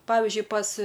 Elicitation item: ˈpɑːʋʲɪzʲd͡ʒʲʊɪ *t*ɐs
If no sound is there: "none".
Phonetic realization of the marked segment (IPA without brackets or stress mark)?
p